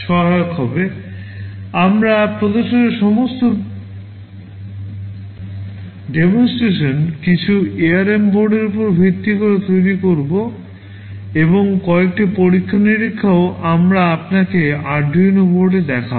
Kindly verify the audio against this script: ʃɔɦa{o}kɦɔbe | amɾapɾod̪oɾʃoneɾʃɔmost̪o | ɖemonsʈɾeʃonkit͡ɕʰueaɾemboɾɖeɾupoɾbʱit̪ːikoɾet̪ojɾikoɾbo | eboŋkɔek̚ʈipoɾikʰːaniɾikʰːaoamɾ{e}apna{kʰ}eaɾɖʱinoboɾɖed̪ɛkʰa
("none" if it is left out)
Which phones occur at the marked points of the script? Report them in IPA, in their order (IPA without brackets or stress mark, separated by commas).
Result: o, a, k